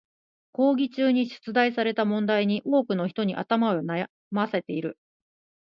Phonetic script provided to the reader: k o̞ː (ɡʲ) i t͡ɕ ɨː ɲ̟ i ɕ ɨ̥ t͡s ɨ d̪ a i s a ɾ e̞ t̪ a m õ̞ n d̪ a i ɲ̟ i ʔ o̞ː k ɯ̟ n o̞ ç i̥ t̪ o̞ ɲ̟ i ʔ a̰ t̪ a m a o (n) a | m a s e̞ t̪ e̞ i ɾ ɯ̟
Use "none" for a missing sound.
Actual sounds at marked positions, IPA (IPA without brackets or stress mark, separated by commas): ɡʲ, n